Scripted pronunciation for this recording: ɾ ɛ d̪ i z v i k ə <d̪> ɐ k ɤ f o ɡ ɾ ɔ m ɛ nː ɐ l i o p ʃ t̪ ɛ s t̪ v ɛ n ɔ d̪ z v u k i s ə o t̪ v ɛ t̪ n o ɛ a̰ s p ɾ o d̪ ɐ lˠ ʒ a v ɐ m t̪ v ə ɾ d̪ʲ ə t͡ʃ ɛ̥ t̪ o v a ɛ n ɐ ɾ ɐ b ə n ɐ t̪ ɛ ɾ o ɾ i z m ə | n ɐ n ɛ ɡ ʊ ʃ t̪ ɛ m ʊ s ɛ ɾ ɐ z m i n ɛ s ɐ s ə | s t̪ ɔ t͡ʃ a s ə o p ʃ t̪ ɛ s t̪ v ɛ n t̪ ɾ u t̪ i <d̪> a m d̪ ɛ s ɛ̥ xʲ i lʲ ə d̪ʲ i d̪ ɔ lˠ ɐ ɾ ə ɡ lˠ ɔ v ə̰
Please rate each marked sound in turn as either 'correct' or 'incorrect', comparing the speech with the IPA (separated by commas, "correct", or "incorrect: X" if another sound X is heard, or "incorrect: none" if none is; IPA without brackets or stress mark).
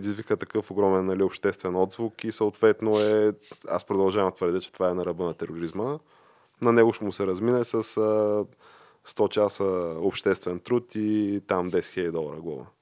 incorrect: t̪, incorrect: t̪